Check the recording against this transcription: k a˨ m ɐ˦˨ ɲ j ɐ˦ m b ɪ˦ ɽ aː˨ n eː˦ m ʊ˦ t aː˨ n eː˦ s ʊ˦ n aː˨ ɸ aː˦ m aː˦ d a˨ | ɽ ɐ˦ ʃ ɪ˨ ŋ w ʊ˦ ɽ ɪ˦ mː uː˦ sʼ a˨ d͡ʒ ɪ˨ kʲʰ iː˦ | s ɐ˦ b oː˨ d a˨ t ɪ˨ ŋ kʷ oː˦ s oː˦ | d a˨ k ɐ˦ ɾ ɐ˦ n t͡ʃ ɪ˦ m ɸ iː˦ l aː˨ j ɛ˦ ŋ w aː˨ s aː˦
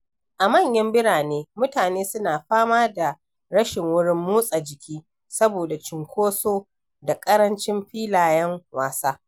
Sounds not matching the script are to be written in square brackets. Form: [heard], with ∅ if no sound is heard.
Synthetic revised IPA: [ʔ] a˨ m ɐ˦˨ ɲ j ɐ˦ m b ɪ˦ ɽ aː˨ n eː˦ m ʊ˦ t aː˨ n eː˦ s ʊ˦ n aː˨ ɸ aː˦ m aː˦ d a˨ | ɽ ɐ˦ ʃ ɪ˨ ŋ w ʊ˦ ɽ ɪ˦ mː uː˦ sʼ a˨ d͡ʒ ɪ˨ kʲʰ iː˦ | s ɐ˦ b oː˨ d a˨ [t͡ʃ] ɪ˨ ŋ kʷ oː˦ s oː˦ | d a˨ [kʼ] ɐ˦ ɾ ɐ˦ n t͡ʃ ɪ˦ m ɸ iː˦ l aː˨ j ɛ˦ ŋ w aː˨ s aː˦

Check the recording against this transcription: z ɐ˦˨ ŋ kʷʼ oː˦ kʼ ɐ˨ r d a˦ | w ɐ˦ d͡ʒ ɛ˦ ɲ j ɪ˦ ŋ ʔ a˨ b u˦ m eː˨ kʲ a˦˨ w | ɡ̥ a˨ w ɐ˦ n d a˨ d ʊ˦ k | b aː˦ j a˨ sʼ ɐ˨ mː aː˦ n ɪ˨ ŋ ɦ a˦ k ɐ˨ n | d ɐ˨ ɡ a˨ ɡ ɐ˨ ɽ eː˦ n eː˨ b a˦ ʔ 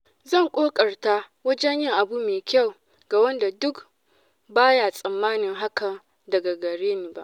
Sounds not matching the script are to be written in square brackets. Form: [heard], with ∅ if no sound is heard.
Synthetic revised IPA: z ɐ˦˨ ŋ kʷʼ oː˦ kʼ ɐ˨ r [t] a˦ | w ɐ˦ d͡ʒ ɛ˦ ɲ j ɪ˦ ŋ ʔ a˨ b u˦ m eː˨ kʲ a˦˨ w | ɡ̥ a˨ w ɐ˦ n d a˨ d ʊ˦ k | b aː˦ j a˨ sʼ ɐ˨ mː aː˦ n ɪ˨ ŋ ɦ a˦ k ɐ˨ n | d ɐ˨ ɡ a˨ ɡ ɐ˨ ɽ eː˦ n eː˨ b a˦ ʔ

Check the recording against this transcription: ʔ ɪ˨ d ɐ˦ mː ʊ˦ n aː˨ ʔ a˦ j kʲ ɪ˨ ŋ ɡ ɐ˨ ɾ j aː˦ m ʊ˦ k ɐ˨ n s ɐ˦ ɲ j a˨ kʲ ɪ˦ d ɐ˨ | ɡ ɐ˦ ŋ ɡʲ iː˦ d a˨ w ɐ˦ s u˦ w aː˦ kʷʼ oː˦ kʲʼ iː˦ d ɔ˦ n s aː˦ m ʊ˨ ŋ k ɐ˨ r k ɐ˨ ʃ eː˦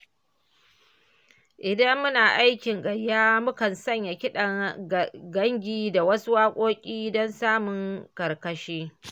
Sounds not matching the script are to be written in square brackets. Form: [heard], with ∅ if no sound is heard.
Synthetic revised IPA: ʔ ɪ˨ d ɐ˦ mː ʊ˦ n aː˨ ʔ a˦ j kʲ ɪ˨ ŋ ɡ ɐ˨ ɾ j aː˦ m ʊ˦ k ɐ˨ n s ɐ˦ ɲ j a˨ kʲ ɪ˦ [ɗ] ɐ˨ | ɡ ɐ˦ ŋ ɡʲ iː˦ d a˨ w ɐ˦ s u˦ w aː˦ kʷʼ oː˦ kʲʼ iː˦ d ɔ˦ n s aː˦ m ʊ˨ ŋ k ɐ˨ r k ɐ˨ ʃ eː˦

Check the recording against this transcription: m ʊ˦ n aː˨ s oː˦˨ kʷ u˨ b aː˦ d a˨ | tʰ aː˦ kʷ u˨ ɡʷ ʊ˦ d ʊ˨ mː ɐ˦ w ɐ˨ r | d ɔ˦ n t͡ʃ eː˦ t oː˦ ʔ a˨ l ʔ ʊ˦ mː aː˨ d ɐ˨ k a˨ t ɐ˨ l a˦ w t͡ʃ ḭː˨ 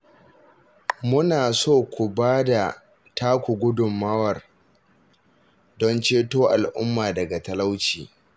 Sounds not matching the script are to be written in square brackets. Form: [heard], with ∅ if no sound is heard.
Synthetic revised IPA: m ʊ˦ n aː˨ s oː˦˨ kʷ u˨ b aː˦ d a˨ | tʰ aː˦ kʷ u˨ ɡʷ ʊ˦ d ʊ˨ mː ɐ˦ w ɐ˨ r | d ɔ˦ n t͡ʃ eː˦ t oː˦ ʔ a˨ l ʔ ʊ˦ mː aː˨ d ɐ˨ [ɡ] a˨ t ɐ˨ l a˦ w t͡ʃ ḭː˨

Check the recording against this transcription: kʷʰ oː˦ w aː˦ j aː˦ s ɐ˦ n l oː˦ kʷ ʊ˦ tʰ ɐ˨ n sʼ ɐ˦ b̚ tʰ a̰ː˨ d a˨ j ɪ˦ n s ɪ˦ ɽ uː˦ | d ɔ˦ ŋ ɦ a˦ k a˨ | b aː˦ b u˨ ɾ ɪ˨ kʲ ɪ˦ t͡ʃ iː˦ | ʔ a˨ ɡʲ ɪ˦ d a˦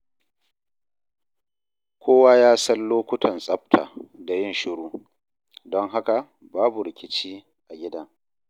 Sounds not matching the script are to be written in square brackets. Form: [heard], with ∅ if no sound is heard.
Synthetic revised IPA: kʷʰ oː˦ w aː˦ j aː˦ s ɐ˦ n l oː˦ kʷ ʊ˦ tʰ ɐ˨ n sʼ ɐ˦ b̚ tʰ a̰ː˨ d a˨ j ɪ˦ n [ʃ] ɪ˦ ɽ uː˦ | d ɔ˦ ŋ ɦ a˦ k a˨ | b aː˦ b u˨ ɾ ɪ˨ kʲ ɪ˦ t͡ʃ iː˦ | ʔ a˨ ɡʲ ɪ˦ d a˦

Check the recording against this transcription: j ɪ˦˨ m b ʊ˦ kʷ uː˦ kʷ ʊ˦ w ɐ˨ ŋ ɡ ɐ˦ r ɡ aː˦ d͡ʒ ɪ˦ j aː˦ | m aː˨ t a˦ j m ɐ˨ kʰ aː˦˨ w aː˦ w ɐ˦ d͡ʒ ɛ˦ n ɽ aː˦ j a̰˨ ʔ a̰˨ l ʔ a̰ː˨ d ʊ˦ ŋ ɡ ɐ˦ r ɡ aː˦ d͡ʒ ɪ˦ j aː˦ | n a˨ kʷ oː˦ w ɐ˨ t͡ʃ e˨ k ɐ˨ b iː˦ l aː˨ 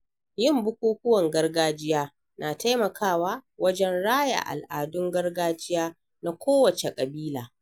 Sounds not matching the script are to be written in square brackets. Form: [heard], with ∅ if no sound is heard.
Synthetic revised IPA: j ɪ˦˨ m b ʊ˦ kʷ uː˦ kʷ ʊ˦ w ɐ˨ ŋ ɡ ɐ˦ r ɡ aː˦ d͡ʒ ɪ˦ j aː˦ | [n] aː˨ t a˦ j m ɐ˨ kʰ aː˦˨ w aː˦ w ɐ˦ d͡ʒ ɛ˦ n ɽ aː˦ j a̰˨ ʔ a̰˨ l ʔ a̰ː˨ d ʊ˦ ŋ ɡ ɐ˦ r ɡ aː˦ d͡ʒ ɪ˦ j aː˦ | n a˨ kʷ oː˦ w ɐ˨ t͡ʃ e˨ [kʼ] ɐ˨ b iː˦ l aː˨

